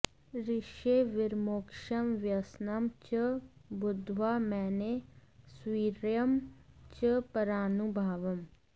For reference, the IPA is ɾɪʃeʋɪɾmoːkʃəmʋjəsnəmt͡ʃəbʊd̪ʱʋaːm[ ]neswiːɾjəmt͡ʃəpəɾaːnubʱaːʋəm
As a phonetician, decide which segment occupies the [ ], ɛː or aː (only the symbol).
ɛː